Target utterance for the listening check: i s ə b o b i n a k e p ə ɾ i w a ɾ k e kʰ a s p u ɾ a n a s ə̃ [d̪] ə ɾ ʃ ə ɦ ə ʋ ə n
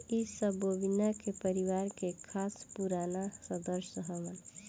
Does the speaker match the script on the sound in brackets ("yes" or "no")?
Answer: yes